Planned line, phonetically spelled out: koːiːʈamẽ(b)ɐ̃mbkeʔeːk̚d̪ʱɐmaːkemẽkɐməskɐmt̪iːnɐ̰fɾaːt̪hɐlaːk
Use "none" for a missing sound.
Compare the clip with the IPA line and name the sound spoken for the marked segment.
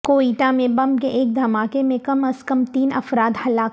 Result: b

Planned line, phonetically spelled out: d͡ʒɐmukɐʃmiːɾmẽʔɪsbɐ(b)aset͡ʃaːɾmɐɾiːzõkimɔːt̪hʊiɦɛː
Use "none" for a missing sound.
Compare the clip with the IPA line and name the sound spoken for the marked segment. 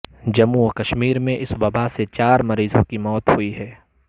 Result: b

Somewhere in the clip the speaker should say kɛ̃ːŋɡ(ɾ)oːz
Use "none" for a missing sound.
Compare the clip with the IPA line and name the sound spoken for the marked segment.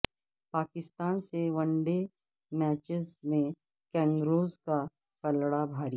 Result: ɾ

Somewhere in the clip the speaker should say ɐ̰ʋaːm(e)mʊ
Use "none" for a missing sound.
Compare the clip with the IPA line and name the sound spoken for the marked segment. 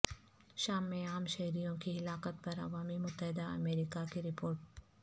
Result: i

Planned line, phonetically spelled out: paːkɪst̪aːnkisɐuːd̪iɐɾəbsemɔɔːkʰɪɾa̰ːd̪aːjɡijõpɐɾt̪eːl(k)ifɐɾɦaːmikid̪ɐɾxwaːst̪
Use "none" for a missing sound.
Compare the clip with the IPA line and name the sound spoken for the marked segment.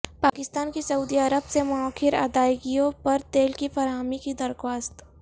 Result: k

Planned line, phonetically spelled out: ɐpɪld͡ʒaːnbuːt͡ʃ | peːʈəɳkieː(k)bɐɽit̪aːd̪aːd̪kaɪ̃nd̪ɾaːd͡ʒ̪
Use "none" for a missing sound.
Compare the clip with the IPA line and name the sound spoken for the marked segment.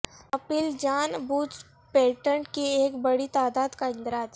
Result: k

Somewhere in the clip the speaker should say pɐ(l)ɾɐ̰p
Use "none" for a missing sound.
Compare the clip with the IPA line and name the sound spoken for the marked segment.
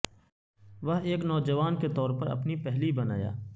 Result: none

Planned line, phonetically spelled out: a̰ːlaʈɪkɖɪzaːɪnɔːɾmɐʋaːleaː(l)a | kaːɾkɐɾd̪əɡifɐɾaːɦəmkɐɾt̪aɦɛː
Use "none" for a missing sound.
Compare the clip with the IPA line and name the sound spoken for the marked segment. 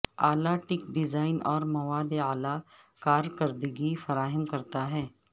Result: l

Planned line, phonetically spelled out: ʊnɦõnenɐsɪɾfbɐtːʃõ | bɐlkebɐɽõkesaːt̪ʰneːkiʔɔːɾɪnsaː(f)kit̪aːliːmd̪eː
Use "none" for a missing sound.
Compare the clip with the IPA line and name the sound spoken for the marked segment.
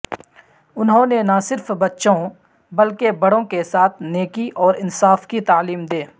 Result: f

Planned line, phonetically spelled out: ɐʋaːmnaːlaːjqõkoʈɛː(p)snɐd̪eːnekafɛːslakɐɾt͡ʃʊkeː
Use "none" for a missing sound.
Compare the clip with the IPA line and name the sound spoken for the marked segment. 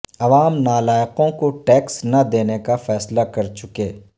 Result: k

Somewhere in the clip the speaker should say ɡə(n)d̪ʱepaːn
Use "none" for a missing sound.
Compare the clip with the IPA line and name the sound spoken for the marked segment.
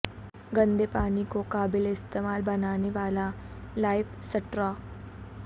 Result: n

